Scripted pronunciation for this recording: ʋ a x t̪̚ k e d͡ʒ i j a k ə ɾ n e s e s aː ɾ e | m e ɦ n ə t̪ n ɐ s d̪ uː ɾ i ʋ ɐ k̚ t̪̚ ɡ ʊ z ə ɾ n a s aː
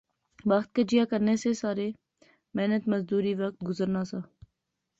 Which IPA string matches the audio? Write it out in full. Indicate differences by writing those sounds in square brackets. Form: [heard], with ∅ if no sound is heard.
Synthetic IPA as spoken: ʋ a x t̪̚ k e d͡ʒ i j a k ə ɾ n e s e s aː ɾ e | m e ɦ n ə t̪ [m] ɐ [z] d̪ uː ɾ i ʋ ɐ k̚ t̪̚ ɡ ʊ z ə ɾ n a s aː